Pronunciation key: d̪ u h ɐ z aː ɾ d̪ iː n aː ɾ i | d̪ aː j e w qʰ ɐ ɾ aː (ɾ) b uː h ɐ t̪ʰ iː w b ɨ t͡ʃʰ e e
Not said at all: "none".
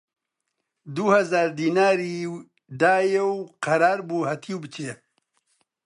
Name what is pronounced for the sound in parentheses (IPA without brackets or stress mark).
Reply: ɾ